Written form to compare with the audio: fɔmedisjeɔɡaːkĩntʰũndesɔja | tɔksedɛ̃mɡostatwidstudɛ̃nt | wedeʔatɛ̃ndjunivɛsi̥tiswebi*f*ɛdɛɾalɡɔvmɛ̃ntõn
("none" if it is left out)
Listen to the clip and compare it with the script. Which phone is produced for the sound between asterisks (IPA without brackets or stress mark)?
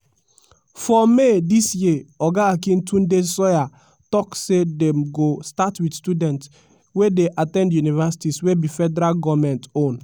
f